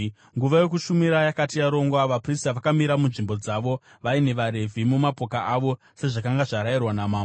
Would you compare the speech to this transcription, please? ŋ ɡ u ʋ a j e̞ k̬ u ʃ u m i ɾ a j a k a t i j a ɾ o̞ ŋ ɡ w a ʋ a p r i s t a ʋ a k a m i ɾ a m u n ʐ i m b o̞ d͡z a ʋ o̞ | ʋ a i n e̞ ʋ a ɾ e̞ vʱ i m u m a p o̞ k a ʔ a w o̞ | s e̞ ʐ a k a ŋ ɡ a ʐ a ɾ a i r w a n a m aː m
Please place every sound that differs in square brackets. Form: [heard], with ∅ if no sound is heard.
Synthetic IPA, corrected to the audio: ŋ ɡ u ʋ a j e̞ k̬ u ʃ u m i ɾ a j a k a t i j a ɾ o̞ ŋ ɡ w a ʋ a p r i s t a ʋ a k a m i ɾ a m u n ʐ i m b o̞ d͡z a ʋ o̞ | ʋ a i n e̞ ʋ a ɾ e̞ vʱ i m u m a p o̞ k a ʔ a [ʋ] o̞ | s e̞ ʐ a k a ŋ ɡ a ʐ a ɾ a i r w a n a m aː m